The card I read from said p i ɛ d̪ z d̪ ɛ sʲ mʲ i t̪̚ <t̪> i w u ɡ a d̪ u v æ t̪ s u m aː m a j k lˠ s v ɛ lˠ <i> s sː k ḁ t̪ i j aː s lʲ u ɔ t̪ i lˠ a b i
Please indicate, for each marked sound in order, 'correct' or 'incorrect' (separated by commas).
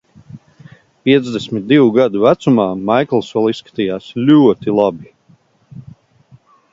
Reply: incorrect, correct